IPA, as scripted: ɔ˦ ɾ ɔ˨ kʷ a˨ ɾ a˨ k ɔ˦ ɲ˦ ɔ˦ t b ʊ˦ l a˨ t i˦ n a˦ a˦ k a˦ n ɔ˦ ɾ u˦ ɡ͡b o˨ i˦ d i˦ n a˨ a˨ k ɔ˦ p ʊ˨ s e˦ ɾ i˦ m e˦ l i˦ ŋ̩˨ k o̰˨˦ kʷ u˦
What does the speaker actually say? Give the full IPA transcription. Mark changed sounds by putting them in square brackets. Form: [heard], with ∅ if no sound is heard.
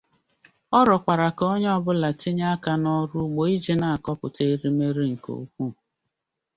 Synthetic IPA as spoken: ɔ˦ ɾ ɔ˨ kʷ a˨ ɾ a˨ k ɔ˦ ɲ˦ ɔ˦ [∅] b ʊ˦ l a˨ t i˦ [ɲ] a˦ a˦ k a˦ n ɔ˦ ɾ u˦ ɡ͡b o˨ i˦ [d͡ʒ] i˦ n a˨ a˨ k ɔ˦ p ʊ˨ [t] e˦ ɾ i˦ m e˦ [ɾ] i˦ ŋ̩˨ k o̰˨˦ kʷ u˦